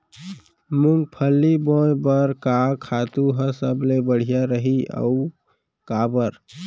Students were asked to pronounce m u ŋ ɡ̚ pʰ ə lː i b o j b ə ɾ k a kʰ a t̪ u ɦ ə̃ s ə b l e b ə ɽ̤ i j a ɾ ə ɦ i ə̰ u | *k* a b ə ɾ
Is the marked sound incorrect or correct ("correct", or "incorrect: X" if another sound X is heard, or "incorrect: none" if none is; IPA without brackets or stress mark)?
correct